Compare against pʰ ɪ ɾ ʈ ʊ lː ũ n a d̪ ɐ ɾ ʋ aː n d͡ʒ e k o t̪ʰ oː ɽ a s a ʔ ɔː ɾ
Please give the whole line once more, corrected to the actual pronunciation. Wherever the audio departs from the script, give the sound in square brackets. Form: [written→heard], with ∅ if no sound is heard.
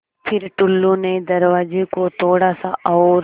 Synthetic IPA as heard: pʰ ɪ ɾ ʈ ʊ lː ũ n [a→e] d̪ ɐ ɾ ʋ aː [n→∅] d͡ʒ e k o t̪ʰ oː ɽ a s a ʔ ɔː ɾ